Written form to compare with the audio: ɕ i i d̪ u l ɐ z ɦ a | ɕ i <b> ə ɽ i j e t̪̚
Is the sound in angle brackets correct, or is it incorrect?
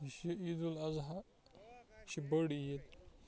correct